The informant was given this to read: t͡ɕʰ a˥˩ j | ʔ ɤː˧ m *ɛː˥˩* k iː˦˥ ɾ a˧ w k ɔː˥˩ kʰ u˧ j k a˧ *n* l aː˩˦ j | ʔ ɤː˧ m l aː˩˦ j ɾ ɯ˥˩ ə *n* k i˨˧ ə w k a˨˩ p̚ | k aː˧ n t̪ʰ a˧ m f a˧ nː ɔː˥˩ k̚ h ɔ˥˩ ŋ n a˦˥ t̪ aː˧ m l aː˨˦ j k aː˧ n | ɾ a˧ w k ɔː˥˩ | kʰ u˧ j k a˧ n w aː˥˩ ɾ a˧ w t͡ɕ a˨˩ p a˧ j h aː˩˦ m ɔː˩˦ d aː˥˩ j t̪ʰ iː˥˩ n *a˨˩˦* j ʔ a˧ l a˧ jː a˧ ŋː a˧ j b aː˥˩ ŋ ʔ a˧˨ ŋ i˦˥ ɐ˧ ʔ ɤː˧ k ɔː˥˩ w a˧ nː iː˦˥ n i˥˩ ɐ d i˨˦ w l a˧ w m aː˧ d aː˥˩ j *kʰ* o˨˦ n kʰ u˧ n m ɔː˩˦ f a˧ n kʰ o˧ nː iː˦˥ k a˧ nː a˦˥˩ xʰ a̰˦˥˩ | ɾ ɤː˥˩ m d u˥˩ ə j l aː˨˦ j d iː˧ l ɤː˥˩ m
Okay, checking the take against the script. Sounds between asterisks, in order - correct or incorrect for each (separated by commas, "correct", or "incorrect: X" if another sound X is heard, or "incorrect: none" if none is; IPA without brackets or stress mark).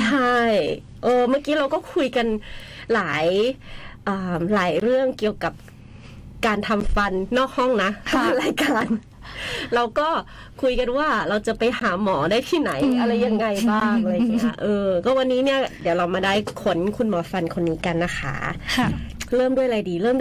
incorrect: aː˥˩, correct, incorrect: ŋ, correct, correct